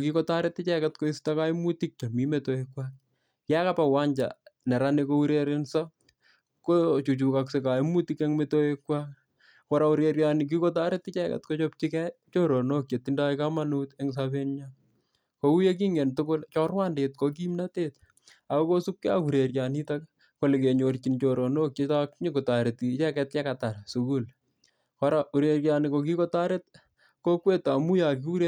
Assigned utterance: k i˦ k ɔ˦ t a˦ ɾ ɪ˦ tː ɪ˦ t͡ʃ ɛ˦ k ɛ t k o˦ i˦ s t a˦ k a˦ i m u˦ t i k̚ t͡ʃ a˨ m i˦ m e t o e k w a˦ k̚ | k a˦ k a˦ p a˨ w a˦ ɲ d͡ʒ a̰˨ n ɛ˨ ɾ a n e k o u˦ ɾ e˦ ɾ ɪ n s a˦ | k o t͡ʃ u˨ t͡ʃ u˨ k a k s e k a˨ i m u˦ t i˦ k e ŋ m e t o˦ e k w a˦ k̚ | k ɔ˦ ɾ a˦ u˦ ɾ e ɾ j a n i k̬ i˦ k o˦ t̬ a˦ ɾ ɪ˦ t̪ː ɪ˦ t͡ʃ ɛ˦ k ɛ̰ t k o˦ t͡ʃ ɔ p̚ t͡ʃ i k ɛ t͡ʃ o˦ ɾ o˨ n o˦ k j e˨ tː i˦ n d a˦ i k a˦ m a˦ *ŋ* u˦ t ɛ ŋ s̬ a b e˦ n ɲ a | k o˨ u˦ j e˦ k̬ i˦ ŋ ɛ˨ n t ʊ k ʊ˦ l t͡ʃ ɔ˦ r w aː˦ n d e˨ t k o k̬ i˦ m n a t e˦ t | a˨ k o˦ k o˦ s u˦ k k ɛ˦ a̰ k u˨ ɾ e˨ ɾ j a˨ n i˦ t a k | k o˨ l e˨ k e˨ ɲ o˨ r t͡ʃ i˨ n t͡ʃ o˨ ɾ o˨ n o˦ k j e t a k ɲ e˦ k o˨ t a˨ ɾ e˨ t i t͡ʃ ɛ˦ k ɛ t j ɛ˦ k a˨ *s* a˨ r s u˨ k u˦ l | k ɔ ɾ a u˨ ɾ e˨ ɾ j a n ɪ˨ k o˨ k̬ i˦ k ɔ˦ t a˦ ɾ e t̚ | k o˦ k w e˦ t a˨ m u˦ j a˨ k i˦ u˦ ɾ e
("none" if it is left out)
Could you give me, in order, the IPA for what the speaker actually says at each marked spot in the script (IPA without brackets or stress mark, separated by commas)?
n, t